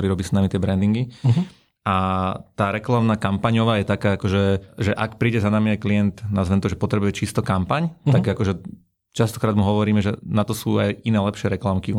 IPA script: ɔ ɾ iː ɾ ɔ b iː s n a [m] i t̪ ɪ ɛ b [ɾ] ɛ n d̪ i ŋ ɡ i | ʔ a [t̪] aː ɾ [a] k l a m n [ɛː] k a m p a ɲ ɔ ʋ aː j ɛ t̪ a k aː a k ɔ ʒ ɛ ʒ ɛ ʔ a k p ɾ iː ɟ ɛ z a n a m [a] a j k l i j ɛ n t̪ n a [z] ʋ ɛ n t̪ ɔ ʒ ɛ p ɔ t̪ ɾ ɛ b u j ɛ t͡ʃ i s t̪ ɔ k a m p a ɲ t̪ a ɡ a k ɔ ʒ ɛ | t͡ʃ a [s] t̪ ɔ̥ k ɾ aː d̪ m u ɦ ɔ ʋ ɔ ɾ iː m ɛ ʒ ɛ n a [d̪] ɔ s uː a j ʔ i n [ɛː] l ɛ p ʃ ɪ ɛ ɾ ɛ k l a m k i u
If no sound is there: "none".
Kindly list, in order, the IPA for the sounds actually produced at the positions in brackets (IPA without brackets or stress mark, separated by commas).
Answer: m, ɾ, t̪, ɛ, aː, i, z, s, t̪, ɛː